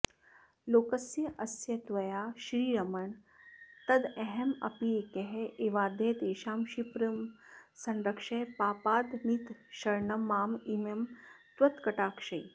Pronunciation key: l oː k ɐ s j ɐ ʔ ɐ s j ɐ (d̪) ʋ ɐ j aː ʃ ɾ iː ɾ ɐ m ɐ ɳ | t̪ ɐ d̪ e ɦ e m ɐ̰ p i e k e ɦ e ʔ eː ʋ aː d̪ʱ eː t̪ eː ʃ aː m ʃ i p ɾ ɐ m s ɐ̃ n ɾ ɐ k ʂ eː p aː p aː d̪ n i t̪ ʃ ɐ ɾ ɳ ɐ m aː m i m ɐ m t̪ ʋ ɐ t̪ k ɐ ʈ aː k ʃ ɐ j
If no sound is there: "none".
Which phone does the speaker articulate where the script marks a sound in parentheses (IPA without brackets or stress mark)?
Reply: t̪